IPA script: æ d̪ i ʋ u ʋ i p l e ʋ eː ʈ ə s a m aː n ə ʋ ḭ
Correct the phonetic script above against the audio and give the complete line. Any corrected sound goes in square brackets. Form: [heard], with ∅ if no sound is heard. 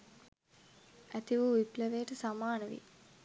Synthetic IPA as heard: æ [t̪] i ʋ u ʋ i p l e ʋ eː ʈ ə s a m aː n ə ʋ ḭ

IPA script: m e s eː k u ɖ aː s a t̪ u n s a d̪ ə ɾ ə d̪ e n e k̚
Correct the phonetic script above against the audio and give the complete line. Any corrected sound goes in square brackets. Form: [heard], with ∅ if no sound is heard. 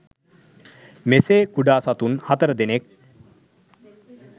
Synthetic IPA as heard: m e s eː k u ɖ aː s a t̪ u n [h] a [t̪] ə ɾ ə d̪ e n e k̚

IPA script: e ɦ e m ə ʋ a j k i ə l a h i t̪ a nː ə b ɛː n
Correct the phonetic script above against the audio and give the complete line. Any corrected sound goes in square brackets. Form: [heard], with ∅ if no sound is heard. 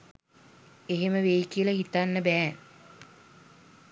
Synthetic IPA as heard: e ɦ e m ə ʋ [e] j k i ə l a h i t̪ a nː ə b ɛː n

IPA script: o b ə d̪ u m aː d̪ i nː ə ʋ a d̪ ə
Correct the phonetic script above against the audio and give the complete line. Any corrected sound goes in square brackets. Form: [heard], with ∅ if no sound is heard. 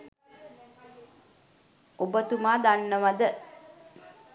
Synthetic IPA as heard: o b ə [t̪] u m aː d̪ [a] nː ə ʋ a d̪ ə

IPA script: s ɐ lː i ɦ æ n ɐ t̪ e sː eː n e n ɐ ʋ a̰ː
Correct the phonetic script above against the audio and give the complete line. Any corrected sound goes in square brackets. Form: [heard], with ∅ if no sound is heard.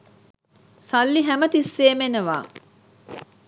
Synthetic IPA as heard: s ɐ lː i ɦ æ [m] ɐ t̪ [i] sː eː [m] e n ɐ ʋ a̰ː

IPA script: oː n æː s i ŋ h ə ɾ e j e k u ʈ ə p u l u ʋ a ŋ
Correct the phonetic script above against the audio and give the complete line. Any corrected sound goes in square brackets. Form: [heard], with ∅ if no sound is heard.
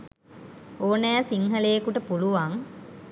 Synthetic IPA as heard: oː n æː s i ŋ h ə [l] e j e k u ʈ ə p u l u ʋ a ŋ

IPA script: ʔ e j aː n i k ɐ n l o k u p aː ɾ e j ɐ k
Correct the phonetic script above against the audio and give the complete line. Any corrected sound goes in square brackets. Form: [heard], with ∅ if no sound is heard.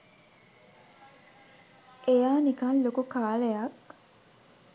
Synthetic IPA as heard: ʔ e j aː n i k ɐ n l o k u [k] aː [l] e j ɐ k

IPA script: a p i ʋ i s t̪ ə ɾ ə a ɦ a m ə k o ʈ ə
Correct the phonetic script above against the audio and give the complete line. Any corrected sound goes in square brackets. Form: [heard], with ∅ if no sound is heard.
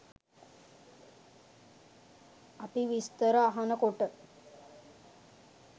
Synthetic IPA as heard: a p i ʋ i s t̪ ə ɾ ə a ɦ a [n] ə k o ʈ ə

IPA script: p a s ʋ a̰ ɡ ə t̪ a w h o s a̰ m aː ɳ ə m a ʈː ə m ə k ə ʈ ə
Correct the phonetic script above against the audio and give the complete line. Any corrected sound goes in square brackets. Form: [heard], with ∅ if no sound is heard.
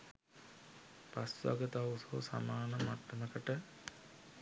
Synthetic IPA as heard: p a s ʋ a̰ ɡ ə t̪ a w [s] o s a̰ m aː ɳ ə m a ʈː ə m ə k ə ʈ ə

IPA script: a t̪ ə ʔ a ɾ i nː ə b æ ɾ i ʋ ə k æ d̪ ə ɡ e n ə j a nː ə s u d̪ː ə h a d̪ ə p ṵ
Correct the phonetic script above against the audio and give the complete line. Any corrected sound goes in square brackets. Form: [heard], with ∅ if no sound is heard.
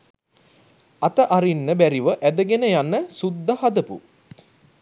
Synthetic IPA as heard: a t̪ ə ʔ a ɾ i nː ə b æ ɾ i ʋ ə [ʔ] æ d̪ ə ɡ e n ə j a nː ə s u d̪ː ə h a d̪ ə p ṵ

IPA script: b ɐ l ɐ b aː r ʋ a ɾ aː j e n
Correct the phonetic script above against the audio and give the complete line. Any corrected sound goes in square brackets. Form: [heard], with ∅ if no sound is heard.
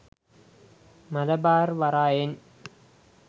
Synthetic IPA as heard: [m] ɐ l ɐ b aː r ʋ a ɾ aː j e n

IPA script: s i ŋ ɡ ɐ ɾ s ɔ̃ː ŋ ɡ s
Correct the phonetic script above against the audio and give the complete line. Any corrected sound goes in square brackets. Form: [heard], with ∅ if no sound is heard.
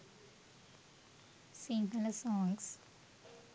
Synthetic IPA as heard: s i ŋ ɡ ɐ [l] s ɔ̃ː ŋ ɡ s

